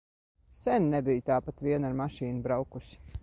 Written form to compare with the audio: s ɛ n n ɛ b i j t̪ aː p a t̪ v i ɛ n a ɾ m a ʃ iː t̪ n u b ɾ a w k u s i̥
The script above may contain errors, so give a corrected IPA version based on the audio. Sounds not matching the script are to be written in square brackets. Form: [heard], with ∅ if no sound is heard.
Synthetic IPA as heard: s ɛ n n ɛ b i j t̪ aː p a t̪ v i ɛ n a ɾ m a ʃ iː [∅] n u b ɾ a w k u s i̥